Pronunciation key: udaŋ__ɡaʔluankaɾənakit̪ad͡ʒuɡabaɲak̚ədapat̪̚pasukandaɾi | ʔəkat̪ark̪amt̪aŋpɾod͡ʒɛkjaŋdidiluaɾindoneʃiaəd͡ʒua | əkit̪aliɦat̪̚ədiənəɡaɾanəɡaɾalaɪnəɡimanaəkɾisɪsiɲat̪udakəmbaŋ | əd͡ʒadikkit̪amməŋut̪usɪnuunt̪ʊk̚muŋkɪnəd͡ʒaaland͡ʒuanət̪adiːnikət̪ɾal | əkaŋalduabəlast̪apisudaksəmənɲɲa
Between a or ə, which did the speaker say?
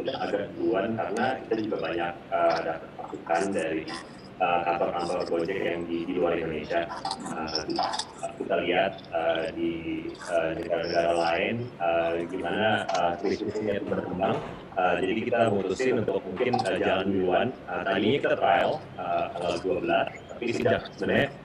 a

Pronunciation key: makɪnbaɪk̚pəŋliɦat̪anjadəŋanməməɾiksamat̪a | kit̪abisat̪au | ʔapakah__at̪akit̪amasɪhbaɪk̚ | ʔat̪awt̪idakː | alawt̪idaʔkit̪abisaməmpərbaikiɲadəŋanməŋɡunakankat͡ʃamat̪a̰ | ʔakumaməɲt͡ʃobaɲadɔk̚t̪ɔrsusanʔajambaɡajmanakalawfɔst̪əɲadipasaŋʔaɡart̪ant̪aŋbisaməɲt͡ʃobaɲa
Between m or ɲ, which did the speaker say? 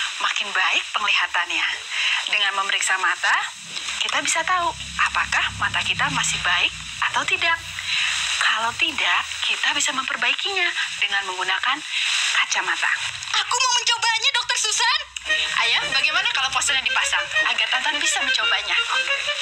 m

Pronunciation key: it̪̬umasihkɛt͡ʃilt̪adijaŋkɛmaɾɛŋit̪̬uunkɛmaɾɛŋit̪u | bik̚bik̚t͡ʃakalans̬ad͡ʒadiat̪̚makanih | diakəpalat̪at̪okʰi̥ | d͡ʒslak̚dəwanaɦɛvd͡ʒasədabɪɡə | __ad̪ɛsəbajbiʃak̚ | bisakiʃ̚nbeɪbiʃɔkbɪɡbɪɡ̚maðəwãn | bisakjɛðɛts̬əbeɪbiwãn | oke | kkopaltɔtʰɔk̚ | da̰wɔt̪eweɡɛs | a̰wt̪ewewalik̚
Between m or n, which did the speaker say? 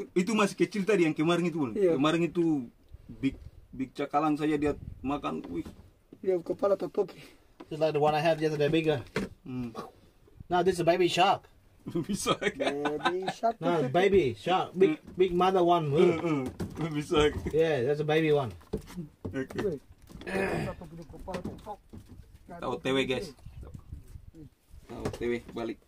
n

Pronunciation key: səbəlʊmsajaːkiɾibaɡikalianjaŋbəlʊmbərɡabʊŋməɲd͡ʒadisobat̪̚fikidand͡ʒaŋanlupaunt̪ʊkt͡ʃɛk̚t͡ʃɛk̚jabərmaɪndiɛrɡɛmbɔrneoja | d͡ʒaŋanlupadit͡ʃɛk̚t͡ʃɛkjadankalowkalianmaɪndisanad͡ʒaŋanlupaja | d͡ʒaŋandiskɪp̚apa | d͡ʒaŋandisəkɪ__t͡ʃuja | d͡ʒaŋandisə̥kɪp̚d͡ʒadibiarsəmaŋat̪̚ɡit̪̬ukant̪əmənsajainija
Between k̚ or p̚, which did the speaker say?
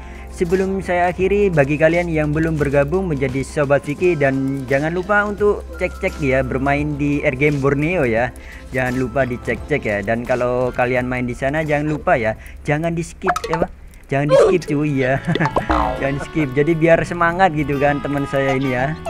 p̚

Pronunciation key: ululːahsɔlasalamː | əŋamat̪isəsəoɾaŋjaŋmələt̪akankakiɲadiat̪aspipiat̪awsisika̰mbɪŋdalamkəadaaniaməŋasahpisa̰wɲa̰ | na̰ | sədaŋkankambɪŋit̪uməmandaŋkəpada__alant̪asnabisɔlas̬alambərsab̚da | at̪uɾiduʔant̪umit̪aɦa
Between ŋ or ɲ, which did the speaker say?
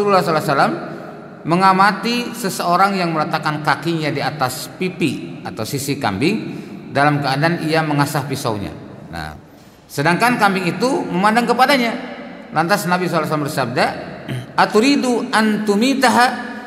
ɲ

